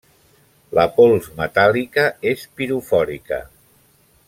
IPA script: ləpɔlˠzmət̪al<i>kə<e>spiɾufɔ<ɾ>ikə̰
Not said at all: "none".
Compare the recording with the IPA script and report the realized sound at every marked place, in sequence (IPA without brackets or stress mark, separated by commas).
i, e, ɾ